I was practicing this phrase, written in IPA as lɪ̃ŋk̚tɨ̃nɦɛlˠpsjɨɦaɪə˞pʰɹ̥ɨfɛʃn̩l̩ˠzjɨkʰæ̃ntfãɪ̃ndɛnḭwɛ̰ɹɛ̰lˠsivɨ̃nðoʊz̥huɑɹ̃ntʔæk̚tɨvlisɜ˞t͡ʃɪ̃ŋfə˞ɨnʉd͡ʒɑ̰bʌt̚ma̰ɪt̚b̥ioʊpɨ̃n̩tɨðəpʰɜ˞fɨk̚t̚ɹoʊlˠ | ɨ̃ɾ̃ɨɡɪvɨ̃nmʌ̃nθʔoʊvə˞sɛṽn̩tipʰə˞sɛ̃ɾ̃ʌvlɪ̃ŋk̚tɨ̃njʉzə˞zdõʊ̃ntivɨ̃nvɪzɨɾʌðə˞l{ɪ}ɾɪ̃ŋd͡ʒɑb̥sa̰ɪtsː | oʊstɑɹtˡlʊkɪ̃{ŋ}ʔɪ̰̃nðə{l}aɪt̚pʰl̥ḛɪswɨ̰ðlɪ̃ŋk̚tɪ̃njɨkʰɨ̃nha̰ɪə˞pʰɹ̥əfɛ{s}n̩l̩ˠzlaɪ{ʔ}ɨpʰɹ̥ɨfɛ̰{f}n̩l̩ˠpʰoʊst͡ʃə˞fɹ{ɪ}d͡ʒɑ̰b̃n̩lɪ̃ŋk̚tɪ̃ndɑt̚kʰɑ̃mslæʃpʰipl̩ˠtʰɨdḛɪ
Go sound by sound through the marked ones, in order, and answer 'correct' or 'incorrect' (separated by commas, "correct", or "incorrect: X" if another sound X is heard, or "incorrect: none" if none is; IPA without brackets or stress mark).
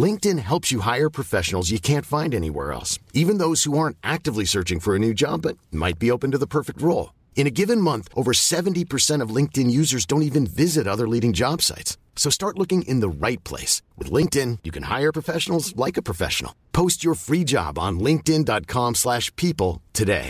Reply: incorrect: i, correct, incorrect: ɹ, incorrect: ʃ, incorrect: k, incorrect: ʃ, incorrect: i